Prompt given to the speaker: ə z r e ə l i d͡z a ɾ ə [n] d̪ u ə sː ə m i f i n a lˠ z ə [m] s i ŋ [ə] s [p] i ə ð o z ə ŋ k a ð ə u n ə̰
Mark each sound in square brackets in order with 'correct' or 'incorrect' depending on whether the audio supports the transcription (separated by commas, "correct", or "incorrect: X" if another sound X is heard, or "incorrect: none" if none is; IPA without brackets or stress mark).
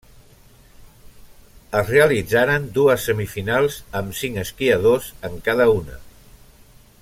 correct, correct, correct, incorrect: k